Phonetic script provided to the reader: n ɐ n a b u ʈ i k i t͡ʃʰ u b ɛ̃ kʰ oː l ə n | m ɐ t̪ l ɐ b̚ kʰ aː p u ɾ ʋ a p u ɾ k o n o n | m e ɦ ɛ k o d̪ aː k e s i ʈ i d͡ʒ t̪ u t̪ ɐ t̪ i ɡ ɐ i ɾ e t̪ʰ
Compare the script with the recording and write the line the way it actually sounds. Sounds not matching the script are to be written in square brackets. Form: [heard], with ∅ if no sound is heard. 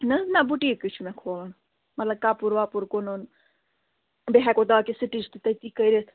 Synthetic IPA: n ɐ n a b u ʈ i k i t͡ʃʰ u [m] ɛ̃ kʰ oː l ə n | m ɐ t̪ l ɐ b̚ [k] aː p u ɾ ʋ a p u ɾ k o n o n | [b] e ɦ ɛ k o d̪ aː k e s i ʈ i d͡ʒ t̪ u t̪ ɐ t̪ i [k] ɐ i ɾ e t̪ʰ